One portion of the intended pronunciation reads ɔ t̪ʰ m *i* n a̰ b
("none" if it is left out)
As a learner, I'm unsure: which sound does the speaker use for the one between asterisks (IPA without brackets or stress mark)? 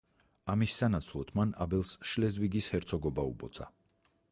a